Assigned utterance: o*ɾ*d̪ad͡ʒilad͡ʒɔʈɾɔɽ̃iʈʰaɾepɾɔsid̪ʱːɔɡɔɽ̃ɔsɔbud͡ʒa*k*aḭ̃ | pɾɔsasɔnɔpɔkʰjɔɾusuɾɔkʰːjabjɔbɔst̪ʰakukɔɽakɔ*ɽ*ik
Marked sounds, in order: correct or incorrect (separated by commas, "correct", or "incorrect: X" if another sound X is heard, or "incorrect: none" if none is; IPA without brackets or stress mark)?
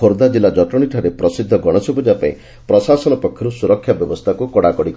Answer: correct, incorrect: p, correct